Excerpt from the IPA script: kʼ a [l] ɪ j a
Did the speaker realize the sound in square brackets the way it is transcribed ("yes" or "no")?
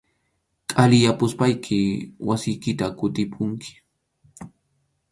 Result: yes